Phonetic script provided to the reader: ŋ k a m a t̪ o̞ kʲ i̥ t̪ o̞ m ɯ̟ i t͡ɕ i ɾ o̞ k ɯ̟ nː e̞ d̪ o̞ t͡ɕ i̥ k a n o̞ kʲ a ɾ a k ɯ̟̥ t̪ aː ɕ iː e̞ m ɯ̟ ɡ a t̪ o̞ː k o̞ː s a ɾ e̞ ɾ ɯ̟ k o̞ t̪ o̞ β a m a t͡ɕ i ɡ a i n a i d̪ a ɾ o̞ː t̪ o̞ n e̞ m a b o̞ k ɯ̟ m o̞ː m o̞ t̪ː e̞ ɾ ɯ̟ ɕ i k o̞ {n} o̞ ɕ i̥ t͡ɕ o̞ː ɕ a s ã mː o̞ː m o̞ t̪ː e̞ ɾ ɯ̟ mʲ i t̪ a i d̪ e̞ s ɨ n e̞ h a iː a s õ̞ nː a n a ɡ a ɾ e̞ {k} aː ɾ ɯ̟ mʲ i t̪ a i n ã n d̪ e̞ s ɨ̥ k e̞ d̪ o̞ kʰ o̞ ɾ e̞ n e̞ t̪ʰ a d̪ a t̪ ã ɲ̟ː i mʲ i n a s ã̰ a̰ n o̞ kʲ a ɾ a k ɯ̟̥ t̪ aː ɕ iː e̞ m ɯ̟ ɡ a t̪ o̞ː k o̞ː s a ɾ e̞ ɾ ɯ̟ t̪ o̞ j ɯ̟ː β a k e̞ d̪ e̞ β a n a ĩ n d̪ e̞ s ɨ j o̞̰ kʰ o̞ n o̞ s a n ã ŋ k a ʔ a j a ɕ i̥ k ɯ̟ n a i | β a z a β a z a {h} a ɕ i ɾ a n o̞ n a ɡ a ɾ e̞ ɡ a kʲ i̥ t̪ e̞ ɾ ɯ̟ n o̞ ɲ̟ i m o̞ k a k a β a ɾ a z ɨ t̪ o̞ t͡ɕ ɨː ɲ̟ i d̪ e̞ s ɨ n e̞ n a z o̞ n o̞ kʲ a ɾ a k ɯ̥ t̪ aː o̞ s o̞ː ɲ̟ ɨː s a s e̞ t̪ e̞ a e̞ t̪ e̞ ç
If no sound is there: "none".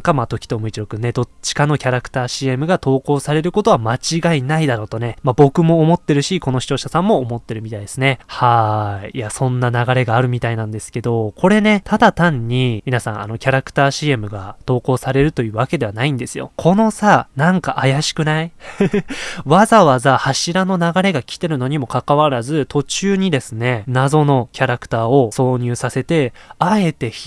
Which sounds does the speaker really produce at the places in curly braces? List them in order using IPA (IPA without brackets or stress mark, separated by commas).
n, ɡ, h